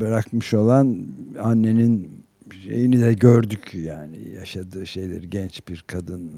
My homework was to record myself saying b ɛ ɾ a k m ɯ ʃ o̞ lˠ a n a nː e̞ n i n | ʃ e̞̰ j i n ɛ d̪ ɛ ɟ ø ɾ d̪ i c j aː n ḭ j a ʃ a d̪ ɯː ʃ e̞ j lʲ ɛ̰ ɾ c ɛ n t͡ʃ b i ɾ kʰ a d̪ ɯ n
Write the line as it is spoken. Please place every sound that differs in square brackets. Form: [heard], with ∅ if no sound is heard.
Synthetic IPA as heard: b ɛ ɾ a k m ɯ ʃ o̞ lˠ a n a nː e̞ n i n | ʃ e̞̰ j i n [i] d̪ ɛ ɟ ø ɾ d̪ [y] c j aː n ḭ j a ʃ a d̪ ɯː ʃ e̞ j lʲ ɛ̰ ɾ [ɟ] ɛ n t͡ʃ b i ɾ kʰ a d̪ ɯ n